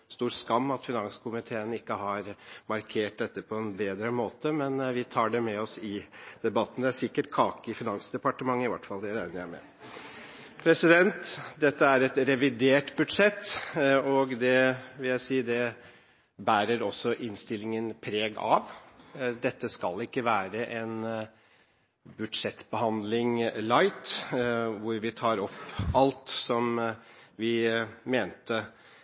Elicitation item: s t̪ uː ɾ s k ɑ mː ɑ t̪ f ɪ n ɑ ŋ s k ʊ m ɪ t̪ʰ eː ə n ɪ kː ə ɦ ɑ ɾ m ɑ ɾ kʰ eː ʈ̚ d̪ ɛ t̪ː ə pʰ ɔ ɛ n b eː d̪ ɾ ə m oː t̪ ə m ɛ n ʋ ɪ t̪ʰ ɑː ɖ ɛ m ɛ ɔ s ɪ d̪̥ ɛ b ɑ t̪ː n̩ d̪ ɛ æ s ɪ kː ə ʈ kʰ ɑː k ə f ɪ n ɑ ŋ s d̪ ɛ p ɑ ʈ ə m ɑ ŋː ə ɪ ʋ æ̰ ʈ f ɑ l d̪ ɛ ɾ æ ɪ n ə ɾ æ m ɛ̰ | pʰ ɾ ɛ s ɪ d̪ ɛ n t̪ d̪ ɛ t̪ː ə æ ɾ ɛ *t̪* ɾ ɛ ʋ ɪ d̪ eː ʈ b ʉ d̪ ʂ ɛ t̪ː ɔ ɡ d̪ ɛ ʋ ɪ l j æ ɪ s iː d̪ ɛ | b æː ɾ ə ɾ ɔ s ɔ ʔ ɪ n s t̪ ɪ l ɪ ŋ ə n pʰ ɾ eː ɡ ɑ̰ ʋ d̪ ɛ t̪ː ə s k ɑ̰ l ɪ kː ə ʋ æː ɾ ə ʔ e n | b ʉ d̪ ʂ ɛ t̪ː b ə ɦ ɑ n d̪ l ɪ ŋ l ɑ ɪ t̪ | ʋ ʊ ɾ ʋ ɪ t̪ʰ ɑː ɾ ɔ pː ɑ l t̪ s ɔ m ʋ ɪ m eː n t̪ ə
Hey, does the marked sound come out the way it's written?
yes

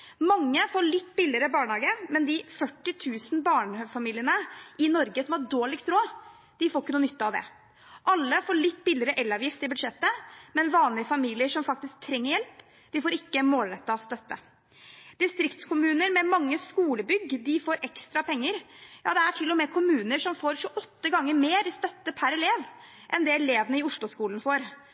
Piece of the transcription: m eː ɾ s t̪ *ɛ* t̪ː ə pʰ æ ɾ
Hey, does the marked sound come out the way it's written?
no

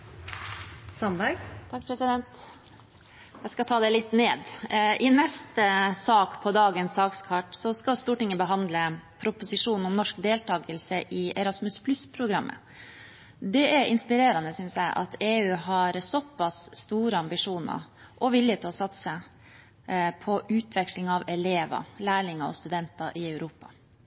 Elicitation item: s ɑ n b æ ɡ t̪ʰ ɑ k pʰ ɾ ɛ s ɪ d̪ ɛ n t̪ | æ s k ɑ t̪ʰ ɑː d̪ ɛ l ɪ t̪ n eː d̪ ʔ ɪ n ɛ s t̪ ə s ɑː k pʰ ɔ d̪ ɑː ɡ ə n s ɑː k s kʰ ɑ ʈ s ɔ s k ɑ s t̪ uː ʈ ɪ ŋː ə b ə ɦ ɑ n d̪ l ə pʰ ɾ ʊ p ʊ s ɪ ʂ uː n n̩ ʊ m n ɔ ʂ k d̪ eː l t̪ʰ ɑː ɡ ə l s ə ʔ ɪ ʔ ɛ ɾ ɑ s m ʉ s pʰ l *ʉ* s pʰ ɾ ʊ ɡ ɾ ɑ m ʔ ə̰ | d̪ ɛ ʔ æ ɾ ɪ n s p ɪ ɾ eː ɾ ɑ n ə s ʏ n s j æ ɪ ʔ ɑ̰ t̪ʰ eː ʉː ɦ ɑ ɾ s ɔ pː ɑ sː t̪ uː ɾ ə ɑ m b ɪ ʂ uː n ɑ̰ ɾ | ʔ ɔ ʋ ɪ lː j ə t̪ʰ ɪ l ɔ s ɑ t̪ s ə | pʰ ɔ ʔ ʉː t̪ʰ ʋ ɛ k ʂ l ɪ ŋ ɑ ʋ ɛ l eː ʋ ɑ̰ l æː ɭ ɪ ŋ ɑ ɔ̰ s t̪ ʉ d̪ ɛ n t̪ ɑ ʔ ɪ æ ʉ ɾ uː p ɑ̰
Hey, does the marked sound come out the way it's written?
yes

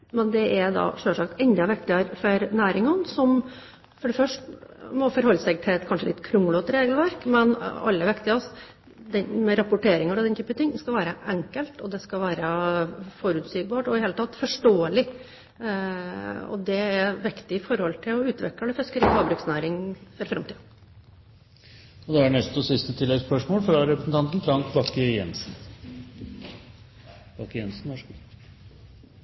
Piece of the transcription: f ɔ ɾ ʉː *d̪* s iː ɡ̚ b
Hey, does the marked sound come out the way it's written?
no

